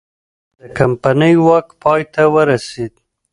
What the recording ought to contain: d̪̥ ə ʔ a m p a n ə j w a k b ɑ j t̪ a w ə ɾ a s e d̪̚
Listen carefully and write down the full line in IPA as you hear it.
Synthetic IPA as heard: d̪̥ ə k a m p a n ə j w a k p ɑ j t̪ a w ə ɾ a s e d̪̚